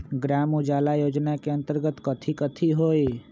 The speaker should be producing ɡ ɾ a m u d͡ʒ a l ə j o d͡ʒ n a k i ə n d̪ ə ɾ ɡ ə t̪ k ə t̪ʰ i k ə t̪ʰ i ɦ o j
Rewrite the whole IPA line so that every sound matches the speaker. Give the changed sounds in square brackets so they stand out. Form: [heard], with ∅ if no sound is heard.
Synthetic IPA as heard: ɡ ɾ a m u d͡ʒ a l [a] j o d͡ʒ n a k [e] ə n [t̪] ə ɾ ɡ ə t̪ k ə t̪ʰ i k ə t̪ʰ i ɦ o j